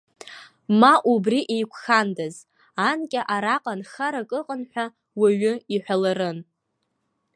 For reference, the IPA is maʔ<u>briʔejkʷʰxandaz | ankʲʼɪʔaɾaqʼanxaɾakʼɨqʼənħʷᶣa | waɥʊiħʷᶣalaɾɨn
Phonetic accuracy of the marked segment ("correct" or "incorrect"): correct